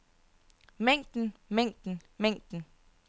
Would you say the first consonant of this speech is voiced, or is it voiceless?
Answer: voiced